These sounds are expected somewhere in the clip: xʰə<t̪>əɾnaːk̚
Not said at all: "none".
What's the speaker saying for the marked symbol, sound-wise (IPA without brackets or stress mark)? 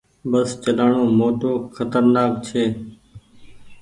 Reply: t̪